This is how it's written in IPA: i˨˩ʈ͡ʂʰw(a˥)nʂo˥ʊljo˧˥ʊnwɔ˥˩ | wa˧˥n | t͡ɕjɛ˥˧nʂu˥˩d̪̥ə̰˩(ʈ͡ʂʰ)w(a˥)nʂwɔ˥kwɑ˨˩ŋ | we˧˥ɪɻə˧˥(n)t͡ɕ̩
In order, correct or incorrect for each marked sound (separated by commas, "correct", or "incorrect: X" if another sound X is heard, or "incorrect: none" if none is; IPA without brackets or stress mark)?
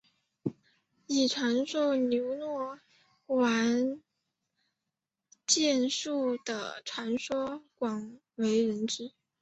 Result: incorrect: a˧˥, correct, incorrect: a˧˥, correct